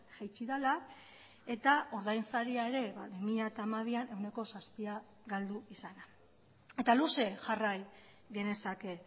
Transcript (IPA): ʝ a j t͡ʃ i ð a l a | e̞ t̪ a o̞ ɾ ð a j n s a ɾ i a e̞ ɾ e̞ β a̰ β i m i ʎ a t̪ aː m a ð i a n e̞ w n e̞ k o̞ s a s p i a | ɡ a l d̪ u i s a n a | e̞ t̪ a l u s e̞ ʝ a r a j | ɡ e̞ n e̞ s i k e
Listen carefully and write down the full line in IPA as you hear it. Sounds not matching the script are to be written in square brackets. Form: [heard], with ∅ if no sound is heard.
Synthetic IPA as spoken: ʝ a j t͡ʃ i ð a l a | e̞ t̪ a o̞ ɾ ð a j n s a ɾ i a e̞ ɾ e̞ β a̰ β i m i ʎ a t̪ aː m a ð i a n e̞ w n e̞ k o̞ s a s p i a | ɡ a l d̪ u i s a n a | e̞ t̪ a l u s e̞ ʝ a r a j | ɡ e̞ n e̞ s [a] k e